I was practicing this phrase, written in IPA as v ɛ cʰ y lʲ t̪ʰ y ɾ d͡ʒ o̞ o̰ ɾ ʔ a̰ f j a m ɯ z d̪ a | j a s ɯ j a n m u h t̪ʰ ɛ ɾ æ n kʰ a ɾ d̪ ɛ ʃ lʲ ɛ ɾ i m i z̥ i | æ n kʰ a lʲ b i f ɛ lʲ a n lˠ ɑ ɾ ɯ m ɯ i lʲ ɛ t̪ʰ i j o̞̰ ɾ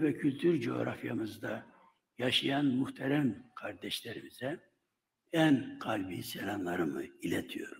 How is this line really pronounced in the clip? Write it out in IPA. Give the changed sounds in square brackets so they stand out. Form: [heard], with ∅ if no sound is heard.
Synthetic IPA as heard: v ɛ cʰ y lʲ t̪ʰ y ɾ d͡ʒ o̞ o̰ ɾ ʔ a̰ f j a m ɯ z d̪ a | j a [ʃ] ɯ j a n m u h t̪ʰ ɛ ɾ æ [m] kʰ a ɾ d̪ ɛ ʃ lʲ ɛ ɾ i m i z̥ [ɛ] | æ n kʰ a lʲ b i [s] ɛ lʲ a n lˠ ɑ ɾ ɯ m ɯ i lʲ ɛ t̪ʰ i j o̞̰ ɾ